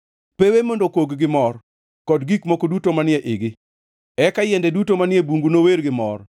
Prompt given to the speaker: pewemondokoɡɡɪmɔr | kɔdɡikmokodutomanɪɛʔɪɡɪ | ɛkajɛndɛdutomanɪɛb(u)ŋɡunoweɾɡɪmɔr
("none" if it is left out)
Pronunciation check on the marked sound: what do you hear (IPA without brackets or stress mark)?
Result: u